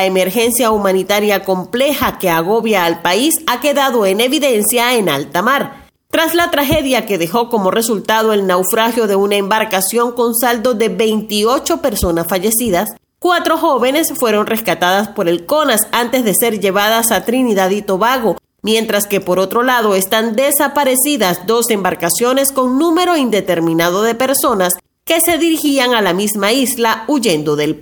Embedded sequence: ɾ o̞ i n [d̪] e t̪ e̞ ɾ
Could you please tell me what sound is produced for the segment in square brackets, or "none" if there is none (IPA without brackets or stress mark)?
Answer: d̪